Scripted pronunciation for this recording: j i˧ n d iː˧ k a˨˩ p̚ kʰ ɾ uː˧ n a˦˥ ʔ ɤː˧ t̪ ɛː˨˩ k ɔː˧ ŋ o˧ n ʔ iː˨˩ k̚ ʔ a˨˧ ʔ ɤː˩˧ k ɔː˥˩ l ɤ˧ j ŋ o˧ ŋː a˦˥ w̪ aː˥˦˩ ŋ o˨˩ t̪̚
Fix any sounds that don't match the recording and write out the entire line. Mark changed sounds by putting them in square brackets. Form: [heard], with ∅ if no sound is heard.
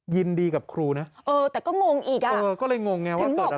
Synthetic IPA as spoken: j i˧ n d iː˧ k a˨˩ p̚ kʰ ɾ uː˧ n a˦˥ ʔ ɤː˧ t̪ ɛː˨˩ k [ɔː˥˩] ŋ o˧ [ŋ] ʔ iː˨˩ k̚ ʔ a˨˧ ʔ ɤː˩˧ k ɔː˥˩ l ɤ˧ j ŋ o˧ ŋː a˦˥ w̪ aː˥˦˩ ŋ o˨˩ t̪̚